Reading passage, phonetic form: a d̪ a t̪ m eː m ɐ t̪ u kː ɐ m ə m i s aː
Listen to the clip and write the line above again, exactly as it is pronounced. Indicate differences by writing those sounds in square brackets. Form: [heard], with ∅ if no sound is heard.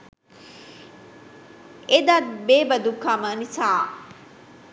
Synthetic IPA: [e] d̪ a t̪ [b] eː [b] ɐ [d̪] u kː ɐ m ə [n] i s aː